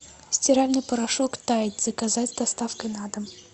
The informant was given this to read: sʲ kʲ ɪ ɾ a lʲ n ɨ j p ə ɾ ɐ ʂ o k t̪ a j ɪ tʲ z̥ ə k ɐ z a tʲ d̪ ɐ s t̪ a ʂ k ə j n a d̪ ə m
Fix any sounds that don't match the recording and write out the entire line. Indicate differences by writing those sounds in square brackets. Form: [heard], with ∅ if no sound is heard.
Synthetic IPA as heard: sʲ [tʲ] ɪ ɾ a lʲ n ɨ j p ə ɾ ɐ ʂ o k t̪ a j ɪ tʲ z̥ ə k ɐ z a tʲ d̪ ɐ s t̪ a [f] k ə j n a d̪ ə m